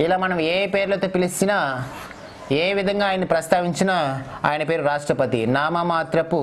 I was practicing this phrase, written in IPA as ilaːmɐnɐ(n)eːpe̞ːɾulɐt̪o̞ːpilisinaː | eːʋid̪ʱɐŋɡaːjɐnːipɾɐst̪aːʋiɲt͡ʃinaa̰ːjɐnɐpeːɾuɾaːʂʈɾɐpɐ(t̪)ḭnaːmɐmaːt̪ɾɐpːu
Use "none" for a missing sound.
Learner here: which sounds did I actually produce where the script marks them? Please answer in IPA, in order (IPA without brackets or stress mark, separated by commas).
m, t̪